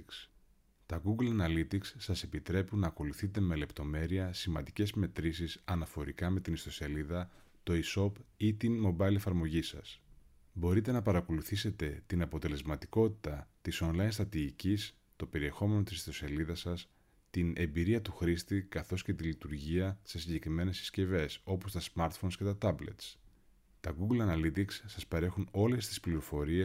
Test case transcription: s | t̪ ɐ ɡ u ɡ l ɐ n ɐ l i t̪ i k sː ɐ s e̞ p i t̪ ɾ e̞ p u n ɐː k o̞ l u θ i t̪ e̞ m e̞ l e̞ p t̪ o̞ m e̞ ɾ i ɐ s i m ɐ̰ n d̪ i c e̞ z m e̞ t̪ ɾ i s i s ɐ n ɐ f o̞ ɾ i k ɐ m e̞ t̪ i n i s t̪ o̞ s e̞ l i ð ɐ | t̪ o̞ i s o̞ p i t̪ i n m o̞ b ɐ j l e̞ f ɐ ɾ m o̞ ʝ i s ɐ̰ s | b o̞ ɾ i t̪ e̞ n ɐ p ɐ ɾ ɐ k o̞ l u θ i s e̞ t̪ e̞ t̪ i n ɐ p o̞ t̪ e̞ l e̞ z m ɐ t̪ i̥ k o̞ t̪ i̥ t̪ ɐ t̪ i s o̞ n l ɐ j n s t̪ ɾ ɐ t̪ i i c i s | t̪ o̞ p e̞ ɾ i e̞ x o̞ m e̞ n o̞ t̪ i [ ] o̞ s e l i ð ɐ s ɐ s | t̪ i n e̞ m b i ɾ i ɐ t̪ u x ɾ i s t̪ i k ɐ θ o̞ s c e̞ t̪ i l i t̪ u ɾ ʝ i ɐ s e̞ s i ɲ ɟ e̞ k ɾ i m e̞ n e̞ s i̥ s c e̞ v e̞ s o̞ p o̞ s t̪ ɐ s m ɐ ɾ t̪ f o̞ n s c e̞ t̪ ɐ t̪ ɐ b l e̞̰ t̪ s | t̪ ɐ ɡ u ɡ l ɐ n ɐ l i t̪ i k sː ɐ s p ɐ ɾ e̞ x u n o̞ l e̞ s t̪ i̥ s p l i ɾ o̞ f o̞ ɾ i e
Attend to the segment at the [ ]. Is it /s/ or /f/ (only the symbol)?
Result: s